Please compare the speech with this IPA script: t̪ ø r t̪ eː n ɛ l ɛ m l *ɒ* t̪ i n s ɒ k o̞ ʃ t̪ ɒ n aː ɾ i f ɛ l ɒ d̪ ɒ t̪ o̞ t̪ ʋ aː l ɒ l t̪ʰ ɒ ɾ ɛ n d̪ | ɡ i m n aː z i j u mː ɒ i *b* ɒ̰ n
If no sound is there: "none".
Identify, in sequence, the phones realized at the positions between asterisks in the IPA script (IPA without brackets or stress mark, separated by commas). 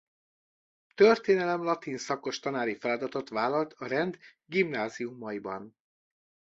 ɒ, b